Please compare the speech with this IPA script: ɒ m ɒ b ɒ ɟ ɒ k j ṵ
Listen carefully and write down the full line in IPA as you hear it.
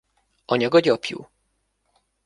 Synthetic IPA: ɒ ɲ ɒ ɡ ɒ ɟ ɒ p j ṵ